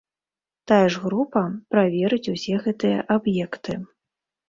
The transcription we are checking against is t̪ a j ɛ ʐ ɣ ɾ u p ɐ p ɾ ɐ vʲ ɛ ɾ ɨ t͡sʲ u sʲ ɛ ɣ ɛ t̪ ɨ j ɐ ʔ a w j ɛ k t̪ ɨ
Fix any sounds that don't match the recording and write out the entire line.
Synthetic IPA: t̪ a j ɛ ʐ ɣ ɾ u p ɐ p ɾ a vʲ ɛ ɾ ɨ t͡sʲ u sʲ ɛ ɣ ɛ t̪ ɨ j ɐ ʔ a b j ɛ k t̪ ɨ